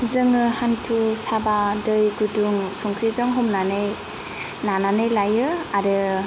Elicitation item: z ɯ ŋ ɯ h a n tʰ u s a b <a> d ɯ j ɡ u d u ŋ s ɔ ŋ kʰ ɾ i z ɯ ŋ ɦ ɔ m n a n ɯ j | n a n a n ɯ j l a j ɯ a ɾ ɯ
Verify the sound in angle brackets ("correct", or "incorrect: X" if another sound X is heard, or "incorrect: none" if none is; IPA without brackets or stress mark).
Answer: correct